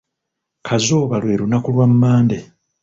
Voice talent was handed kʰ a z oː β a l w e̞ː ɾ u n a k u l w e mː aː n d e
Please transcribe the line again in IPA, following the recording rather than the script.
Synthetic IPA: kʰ a z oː β a l w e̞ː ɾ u n a k u l w a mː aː n d e